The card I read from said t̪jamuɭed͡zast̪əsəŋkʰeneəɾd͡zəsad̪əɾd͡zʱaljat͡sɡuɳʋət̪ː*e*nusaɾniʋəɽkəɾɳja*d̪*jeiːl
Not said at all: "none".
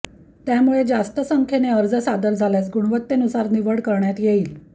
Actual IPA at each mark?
e, t̪

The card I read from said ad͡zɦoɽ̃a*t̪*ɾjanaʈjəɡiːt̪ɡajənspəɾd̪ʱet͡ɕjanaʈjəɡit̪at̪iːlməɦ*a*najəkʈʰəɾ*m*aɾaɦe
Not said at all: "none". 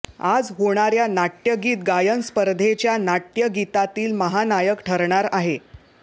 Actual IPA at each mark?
none, a, ɳ

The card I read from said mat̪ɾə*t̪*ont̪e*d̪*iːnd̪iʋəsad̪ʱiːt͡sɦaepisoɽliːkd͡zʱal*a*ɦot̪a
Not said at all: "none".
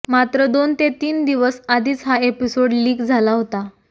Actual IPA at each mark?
d̪, t̪, a

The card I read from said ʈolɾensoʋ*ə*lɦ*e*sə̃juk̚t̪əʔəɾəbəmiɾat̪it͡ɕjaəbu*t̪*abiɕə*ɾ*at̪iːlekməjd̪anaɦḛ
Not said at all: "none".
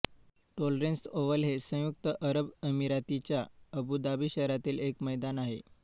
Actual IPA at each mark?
ə, e, d̪, ɾ

